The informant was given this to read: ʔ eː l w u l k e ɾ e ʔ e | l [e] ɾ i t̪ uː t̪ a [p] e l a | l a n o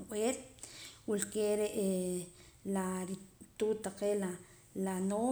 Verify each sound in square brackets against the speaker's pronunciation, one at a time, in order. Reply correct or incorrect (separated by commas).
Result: incorrect, incorrect